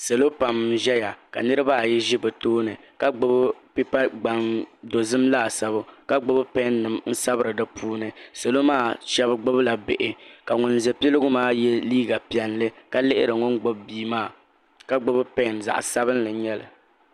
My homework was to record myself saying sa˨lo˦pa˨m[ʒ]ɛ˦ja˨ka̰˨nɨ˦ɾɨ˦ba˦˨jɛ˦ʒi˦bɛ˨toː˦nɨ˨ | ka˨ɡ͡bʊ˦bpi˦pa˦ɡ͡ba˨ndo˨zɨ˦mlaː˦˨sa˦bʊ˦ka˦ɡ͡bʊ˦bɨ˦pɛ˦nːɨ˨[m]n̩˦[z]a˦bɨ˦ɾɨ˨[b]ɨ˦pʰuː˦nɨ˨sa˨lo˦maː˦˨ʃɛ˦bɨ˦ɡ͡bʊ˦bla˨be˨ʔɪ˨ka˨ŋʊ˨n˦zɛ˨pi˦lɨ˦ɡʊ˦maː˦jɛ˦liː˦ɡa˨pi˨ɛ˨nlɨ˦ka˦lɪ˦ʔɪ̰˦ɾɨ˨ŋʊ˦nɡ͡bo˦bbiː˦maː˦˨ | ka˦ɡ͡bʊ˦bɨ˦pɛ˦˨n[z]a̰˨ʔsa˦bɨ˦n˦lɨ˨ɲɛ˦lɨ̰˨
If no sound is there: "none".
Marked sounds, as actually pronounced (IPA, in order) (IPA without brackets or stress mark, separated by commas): ʒ, m, s, d, z